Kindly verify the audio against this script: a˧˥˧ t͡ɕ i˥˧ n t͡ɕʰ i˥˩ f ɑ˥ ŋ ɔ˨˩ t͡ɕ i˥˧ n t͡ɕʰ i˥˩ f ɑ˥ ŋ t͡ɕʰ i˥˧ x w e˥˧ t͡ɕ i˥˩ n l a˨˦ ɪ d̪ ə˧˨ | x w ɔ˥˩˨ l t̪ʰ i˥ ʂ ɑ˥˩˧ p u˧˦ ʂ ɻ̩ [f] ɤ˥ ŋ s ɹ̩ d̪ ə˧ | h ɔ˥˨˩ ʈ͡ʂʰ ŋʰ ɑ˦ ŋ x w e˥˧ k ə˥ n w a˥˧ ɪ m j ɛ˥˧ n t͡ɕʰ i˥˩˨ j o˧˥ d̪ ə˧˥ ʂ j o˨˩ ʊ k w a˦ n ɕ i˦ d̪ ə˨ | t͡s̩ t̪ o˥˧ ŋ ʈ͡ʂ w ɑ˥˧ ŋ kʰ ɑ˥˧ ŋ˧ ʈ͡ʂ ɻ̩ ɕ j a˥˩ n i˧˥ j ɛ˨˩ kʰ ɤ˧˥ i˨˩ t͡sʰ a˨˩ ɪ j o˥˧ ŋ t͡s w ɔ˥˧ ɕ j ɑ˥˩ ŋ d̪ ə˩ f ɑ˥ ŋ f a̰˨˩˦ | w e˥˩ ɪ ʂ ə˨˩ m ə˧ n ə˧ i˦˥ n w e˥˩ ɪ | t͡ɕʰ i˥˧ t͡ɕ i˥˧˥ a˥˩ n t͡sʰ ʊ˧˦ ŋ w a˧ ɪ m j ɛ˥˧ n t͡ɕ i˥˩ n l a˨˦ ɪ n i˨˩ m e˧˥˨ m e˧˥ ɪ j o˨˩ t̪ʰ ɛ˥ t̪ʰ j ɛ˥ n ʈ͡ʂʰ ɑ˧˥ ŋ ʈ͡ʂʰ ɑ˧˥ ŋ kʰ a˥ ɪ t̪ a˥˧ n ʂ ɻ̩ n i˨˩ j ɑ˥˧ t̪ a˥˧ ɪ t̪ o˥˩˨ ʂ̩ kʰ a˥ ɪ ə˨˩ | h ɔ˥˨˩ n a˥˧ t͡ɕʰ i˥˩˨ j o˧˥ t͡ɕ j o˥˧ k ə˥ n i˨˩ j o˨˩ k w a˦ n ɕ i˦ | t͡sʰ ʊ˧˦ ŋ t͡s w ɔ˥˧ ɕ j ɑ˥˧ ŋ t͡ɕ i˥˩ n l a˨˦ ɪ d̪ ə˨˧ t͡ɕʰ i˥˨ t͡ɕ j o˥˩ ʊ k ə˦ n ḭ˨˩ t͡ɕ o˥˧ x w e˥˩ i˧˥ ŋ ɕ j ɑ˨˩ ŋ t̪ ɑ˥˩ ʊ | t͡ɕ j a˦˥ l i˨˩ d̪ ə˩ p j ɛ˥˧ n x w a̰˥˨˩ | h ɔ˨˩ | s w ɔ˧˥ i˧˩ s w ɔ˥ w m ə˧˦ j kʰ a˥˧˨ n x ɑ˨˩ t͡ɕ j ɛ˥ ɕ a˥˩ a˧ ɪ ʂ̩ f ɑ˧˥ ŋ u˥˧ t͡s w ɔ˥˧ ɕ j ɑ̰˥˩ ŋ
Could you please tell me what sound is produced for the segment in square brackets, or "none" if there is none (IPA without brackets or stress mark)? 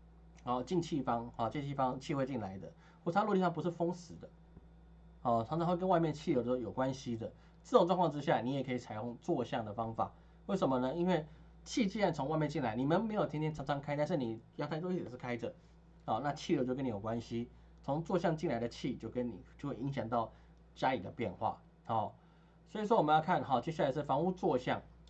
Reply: f